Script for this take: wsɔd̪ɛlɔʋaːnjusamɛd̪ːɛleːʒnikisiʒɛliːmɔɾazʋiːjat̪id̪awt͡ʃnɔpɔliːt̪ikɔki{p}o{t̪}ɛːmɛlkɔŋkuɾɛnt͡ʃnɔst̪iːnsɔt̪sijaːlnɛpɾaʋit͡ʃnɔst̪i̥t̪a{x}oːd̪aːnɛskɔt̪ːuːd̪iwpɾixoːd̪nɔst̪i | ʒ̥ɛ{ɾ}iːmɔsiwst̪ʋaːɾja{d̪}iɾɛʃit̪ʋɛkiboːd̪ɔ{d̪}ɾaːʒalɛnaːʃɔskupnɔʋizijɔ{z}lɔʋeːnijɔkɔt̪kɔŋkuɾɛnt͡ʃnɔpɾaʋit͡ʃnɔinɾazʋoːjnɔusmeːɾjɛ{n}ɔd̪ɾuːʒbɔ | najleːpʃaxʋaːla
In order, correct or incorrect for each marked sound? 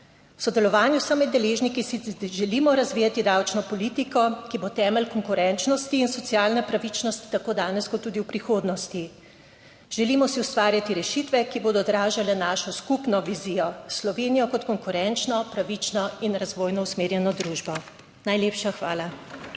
incorrect, correct, incorrect, incorrect, incorrect, correct, incorrect, correct

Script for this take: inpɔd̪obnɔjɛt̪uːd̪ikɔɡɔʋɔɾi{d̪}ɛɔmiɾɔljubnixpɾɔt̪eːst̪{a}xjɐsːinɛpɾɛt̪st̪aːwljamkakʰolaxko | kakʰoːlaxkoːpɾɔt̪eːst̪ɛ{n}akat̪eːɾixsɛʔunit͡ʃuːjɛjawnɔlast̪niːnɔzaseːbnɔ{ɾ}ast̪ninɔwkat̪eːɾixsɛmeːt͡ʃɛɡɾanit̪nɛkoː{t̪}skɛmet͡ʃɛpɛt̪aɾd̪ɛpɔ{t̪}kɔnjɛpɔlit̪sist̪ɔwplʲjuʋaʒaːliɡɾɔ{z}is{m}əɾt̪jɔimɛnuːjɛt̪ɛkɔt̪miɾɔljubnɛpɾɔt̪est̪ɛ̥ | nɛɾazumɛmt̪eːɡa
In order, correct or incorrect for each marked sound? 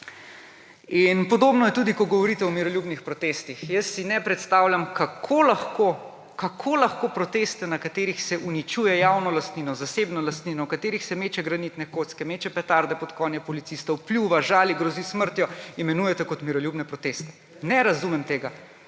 incorrect, incorrect, correct, incorrect, correct, correct, correct, correct

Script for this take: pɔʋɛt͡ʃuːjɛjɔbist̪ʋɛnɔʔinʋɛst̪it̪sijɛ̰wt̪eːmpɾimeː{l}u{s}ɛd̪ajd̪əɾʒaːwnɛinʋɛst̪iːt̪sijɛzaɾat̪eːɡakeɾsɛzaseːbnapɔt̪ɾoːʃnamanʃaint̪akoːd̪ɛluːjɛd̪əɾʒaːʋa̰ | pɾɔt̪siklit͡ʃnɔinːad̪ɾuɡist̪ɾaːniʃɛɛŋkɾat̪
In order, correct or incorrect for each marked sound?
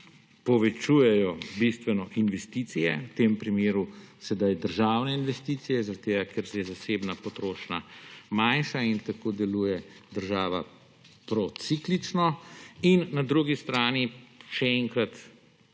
incorrect, correct

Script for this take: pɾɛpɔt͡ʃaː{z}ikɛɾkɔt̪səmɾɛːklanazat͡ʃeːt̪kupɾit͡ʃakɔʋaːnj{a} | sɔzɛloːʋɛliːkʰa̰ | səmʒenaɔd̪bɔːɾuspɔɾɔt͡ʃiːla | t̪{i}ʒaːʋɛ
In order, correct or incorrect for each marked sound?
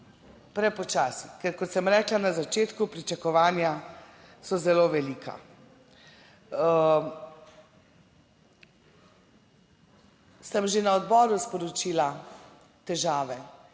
incorrect, correct, incorrect

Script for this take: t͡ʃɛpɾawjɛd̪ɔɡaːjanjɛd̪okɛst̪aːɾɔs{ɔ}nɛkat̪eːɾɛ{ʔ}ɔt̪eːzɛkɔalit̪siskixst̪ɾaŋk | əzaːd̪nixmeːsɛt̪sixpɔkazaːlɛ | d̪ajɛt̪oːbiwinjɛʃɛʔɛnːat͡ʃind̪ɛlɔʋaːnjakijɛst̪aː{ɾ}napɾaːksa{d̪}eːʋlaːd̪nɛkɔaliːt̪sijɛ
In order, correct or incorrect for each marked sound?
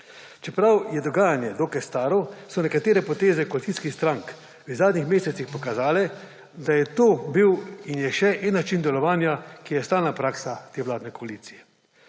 correct, incorrect, incorrect, incorrect

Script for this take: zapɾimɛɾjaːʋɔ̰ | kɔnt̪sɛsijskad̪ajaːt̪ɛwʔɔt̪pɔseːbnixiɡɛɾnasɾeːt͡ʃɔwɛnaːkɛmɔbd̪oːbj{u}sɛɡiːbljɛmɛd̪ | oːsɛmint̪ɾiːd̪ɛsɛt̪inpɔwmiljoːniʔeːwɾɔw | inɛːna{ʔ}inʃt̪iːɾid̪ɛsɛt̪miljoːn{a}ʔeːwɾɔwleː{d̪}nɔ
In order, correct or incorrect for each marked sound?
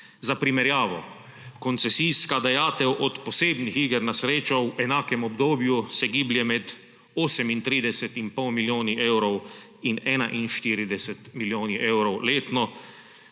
correct, correct, incorrect, incorrect

